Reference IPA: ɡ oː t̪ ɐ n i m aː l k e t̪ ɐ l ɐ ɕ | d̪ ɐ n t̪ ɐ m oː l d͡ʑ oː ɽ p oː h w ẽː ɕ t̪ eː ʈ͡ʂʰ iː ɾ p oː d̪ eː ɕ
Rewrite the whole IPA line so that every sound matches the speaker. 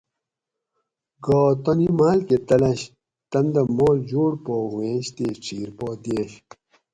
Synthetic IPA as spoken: ɡ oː t̪ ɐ n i m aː l k e t̪ ɐ l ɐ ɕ | t̪ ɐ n d̪ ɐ m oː l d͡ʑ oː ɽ p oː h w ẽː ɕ t̪ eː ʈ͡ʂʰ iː ɾ p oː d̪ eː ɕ